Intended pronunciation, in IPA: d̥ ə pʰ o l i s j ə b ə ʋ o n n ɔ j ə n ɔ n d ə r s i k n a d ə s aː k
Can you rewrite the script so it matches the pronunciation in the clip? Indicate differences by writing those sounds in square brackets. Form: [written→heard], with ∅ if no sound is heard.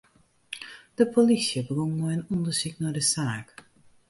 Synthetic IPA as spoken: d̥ ə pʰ o l i s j ə b ə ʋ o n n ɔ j ə n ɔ n d ə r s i k n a d ə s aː k